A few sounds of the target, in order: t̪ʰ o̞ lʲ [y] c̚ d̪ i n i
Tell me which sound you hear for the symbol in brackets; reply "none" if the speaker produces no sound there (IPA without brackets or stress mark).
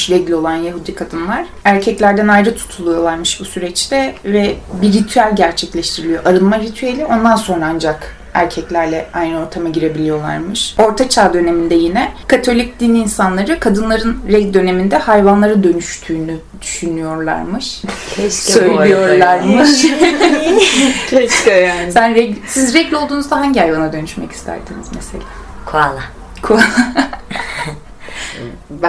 i